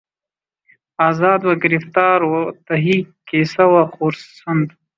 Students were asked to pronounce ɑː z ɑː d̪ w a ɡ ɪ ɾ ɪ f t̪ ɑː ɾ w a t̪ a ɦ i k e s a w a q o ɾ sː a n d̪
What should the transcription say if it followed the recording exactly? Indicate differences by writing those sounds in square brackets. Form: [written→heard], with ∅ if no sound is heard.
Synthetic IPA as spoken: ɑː z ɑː d̪ w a ɡ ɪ ɾ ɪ f t̪ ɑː ɾ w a t̪ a ɦ i k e s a w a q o ɾ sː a n d̪